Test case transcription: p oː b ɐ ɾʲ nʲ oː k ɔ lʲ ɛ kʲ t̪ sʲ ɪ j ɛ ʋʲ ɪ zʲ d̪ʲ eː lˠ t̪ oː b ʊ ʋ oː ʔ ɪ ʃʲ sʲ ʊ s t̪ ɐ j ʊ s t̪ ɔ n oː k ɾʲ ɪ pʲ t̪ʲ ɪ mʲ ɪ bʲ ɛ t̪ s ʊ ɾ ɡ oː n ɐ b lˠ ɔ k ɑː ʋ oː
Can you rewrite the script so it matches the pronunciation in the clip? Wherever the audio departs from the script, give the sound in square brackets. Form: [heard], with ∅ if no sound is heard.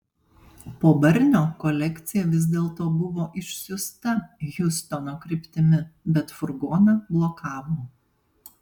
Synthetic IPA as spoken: p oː b ɐ ɾʲ nʲ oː k ɔ lʲ ɛ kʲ t̪ sʲ ɪ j ɛ ʋʲ ɪ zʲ d̪ʲ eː lˠ t̪ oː b ʊ ʋ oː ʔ ɪ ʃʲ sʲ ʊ s t̪ ɐ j ʊ s t̪ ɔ n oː k ɾʲ ɪ pʲ t̪ʲ ɪ mʲ ɪ bʲ ɛ t̪ [f] ʊ ɾ ɡ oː n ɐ b lˠ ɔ k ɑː ʋ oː